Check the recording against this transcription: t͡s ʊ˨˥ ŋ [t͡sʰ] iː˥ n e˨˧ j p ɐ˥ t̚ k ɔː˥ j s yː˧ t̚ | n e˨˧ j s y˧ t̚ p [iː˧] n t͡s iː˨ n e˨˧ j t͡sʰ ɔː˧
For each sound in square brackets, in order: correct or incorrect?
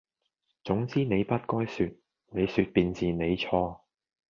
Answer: incorrect: t͡s, correct

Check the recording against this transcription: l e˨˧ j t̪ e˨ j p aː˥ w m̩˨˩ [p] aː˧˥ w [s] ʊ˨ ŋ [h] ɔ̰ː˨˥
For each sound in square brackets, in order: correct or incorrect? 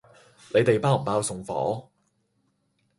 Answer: correct, correct, incorrect: f

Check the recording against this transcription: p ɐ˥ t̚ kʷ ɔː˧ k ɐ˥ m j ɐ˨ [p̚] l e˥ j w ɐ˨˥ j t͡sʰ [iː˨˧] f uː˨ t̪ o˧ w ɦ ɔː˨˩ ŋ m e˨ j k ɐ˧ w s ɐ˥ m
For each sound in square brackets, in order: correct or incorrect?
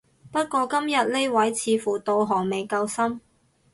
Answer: incorrect: t̚, correct

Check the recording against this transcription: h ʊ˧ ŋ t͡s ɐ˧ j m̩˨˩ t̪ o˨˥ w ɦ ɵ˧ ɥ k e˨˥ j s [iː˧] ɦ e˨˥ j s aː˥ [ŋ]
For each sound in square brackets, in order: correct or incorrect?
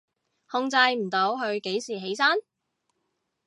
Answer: incorrect: iː˨˩, incorrect: n

